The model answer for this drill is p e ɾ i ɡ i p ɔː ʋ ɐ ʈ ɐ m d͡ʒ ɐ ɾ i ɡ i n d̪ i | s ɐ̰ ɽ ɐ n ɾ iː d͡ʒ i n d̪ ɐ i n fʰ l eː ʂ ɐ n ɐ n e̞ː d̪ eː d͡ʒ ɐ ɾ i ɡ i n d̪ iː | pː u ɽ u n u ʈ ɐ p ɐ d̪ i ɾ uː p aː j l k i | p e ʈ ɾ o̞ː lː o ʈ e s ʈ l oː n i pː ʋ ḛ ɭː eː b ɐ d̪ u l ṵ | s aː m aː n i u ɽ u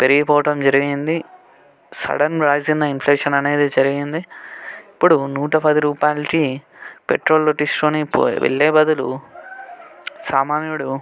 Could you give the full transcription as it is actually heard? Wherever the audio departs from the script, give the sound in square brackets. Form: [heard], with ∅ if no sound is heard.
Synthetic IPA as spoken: p e ɾ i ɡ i p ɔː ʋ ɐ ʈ ɐ m d͡ʒ ɐ ɾ i ɡ i n d̪ i | s ɐ̰ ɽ ɐ n ɾ [aː] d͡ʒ i n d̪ ɐ i n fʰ l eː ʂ ɐ n ɐ n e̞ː d̪ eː d͡ʒ ɐ ɾ i ɡ i n d̪ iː | pː u ɽ u n [uː] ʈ ɐ p ɐ d̪ i ɾ uː p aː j l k i | p e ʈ ɾ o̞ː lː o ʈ [i] s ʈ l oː n i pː ʋ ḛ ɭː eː b ɐ d̪ u l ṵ | s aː m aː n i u ɽ u